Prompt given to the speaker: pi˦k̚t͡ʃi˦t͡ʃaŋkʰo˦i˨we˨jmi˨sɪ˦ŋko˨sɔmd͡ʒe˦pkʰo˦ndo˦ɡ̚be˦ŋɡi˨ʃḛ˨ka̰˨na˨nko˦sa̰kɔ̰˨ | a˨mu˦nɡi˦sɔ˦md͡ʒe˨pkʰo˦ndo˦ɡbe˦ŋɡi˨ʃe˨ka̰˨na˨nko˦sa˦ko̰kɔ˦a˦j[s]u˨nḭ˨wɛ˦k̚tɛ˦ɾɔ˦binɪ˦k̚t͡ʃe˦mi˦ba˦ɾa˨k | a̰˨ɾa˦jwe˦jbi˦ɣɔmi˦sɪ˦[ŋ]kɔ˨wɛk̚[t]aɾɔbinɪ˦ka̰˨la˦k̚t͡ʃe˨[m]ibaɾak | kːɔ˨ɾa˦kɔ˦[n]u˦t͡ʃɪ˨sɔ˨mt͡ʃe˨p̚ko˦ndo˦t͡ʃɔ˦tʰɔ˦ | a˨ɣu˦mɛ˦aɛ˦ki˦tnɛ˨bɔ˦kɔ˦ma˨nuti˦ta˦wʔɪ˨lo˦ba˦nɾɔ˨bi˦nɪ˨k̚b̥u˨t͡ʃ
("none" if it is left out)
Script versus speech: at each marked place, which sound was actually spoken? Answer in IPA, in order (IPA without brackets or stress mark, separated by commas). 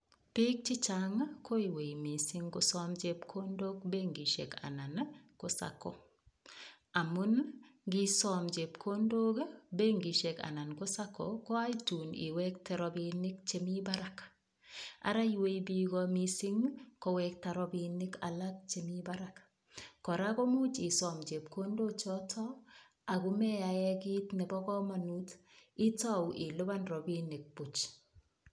t, ŋ, t, m, m